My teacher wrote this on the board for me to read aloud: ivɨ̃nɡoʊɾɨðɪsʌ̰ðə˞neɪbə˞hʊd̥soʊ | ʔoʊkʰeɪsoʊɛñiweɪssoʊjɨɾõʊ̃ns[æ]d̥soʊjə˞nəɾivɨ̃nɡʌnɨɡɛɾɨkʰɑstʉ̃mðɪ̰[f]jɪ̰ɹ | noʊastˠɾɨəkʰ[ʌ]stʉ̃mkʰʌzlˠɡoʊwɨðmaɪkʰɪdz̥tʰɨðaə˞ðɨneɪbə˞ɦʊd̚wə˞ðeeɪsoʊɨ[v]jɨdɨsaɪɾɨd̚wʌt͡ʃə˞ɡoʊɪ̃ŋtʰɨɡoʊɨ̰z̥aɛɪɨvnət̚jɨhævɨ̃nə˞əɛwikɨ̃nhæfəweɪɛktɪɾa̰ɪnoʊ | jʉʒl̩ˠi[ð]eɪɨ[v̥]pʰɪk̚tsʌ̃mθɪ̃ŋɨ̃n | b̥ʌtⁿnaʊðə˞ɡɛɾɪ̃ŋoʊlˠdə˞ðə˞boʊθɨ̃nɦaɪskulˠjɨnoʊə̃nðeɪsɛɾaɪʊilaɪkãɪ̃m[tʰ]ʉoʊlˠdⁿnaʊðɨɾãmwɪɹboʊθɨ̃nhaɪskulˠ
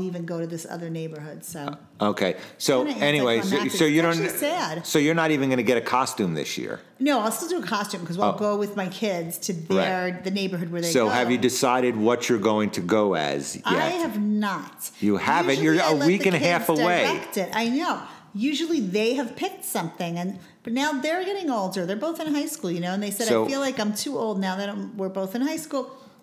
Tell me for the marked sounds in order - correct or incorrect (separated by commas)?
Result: correct, incorrect, incorrect, correct, correct, correct, correct